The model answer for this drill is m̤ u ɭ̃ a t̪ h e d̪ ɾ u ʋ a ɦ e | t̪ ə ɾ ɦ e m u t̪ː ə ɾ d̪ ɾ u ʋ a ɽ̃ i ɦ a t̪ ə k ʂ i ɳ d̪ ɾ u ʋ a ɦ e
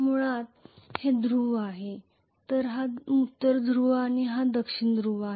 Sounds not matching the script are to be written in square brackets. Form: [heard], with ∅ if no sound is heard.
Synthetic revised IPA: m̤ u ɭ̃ a t̪ h e d̪ ɾ u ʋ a ɦ e | t̪ ə ɾ ɦ [a] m u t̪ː ə ɾ d̪ ɾ u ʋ a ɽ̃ i ɦ a [d̪] ə k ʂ i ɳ d̪ ɾ u ʋ a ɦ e